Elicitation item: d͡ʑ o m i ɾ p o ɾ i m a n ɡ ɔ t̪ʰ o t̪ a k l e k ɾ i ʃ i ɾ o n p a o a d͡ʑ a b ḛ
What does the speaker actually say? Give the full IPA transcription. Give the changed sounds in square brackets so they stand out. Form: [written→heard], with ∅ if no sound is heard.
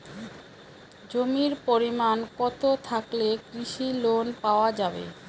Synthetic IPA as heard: d͡ʑ o m i ɾ p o ɾ i m a n [ɡ→k] ɔ [t̪ʰ→t̪] o [t̪→t̪ʰ] a k l e k ɾ i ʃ i [ɾ→l] o n p a o a d͡ʑ a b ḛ